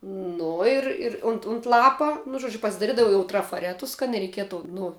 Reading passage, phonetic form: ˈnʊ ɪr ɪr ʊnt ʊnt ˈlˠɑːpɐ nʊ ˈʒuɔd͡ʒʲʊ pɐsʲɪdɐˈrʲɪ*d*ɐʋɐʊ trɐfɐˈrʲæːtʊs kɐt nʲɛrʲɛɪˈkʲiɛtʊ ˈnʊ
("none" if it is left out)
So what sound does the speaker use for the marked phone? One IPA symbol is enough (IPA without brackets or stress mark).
d